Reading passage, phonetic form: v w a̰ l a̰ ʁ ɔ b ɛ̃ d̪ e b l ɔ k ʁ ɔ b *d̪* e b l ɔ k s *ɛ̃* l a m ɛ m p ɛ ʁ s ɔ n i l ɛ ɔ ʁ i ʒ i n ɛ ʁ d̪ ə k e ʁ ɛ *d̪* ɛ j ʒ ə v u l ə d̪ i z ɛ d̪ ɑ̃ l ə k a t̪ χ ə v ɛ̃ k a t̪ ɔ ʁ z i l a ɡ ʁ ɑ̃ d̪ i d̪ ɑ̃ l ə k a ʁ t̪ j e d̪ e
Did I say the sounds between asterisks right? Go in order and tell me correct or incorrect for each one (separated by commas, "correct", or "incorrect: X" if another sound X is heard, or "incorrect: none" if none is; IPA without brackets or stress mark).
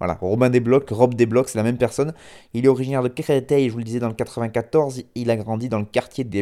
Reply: correct, incorrect: ɛ, incorrect: t̪